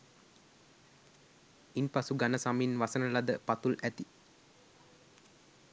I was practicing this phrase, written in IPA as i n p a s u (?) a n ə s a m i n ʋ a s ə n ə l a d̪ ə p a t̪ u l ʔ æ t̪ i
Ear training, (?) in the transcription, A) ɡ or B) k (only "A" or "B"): A